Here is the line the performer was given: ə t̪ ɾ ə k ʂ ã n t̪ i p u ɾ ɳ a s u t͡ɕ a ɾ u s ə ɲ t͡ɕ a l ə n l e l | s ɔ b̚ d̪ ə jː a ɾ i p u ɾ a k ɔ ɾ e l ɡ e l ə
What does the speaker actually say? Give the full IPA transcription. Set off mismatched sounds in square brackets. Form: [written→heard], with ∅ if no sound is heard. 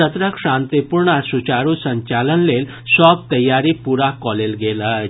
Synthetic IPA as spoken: ə t̪ ɾ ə k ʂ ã n t̪ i p u ɾ ɳ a s u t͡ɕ a ɾ u s ə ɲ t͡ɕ a l ə n l e l | s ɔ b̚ [d̪→t̪] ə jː a ɾ i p u ɾ a k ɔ [ɾ→l] e l ɡ e l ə